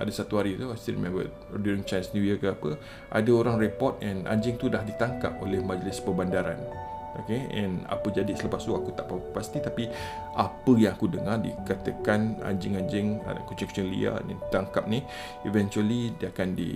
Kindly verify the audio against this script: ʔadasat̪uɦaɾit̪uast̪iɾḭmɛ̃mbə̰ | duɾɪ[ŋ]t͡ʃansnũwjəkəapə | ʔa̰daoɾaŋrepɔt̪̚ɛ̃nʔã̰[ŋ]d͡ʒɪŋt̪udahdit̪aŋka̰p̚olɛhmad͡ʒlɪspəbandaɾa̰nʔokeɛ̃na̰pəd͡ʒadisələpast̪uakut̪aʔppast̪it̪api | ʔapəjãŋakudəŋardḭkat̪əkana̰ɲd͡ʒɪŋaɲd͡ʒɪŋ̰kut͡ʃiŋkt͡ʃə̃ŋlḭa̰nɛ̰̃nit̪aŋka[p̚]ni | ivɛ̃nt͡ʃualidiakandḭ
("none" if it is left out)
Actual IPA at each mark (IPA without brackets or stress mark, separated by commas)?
ŋ, ɲ, p̚